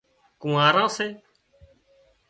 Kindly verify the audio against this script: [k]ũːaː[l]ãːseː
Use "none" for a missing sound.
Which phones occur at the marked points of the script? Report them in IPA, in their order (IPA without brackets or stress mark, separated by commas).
k, ɾ